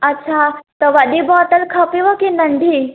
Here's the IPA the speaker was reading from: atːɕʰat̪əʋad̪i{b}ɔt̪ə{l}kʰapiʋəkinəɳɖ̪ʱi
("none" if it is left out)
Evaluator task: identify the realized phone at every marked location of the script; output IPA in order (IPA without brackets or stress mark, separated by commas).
b, l